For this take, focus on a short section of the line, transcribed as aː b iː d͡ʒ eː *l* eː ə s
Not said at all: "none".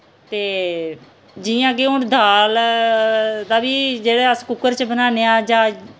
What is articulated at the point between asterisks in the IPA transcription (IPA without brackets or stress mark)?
ɽ